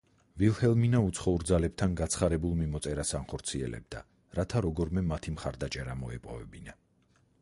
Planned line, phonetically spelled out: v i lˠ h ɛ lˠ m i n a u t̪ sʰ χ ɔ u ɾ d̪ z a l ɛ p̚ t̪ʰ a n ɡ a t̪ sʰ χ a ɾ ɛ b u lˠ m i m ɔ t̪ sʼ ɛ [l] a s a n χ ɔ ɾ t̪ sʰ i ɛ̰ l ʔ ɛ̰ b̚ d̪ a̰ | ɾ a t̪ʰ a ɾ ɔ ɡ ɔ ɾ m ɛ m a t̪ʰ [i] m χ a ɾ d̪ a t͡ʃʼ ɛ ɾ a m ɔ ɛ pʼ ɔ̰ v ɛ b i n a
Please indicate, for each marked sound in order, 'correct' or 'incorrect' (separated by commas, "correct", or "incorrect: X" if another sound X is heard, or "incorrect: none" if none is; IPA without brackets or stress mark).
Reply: incorrect: ɾ, correct